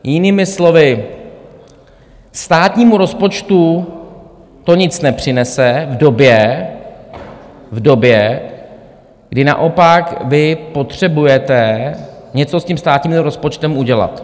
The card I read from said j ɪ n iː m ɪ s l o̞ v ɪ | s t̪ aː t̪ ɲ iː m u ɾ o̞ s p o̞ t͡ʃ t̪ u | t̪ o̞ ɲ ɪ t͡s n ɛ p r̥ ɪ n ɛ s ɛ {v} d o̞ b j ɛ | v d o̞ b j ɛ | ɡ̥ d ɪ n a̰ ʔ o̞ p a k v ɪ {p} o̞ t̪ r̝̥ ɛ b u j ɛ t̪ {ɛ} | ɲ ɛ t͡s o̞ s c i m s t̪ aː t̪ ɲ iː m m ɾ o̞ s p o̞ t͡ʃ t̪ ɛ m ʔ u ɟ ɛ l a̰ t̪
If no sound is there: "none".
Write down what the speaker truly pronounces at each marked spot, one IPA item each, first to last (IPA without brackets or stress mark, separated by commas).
v, p, ɛ